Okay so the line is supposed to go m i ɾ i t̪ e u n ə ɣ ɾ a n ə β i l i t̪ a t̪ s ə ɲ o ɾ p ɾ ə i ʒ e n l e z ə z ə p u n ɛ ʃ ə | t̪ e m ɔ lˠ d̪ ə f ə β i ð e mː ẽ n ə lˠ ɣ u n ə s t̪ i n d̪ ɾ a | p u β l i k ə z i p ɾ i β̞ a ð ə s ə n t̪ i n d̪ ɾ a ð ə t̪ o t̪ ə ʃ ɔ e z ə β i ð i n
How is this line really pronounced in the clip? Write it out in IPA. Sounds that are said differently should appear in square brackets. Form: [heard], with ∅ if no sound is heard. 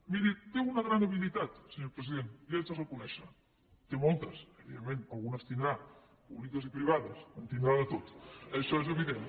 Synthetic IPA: m i ɾ i t̪ e u n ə ɣ ɾ a n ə β i l i t̪ a t̪ s ə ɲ o ɾ p ɾ ə i [ð] e n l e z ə z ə [k] u n ɛ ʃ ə | t̪ e m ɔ lˠ [t̪] ə [s] ə β i ð e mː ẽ n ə lˠ ɣ u n ə s t̪ i n d̪ ɾ a | p u β l i k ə z i p ɾ i β̞ a ð ə s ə n t̪ i n d̪ ɾ a ð ə t̪ o t̪ ə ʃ ɔ e z ə β i ð [e] n